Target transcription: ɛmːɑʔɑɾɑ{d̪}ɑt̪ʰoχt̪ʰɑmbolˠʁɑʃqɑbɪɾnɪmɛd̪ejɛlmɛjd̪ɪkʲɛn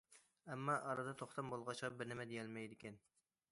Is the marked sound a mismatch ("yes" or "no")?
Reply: no